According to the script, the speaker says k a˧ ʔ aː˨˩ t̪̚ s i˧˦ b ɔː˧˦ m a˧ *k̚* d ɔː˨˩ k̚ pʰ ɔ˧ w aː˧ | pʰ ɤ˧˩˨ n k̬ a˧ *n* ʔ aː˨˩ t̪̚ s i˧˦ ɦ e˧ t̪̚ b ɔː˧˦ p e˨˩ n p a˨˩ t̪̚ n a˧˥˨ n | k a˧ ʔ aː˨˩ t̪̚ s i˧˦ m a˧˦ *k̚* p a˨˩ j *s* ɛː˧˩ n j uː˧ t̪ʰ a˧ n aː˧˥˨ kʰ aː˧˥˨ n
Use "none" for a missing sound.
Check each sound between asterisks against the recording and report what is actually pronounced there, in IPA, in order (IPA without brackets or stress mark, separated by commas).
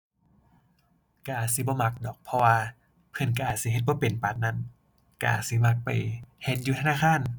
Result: k̚, none, k̚, h